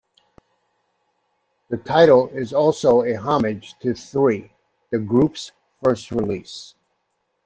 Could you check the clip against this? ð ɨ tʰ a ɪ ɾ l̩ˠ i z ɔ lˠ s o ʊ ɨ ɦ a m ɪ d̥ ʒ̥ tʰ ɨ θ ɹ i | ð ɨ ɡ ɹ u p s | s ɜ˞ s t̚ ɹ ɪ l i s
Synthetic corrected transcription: ð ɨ tʰ a ɪ ɾ l̩ˠ ɪ z ɔ lˠ s o ʊ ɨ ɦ ɑ m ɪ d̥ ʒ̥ tʰ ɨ θ ɹ i | ð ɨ ɡ ɹ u p s | f ɜ˞ s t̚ ɹ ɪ l i s